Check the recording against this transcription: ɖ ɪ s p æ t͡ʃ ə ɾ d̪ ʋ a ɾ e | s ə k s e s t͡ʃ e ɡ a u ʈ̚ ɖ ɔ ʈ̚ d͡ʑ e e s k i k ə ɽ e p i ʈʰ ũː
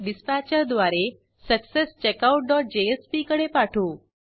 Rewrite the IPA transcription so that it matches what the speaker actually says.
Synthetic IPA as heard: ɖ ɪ s p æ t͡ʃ ə ɾ d̪ ʋ a ɾ e | s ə k s e s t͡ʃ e k a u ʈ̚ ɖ ɔ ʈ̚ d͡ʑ e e s p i k ə ɽ e p a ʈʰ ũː